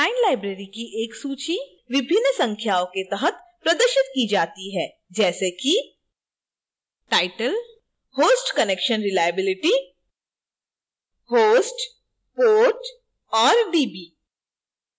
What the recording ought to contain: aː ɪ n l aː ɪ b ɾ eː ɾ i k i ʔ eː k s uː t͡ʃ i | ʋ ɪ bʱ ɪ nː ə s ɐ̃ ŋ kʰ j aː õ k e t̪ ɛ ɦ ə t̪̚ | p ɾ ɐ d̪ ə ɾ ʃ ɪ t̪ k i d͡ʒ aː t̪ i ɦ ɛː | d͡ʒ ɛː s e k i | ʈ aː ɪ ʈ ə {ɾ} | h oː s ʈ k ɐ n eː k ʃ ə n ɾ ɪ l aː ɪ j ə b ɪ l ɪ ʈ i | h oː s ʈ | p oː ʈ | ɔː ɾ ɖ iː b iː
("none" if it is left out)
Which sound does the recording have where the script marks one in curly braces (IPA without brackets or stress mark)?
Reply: l